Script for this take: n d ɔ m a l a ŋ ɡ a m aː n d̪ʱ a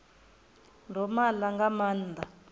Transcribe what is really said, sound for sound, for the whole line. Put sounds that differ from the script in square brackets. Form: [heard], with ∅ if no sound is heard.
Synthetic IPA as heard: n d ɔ m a l a ŋ ɡ a m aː n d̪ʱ a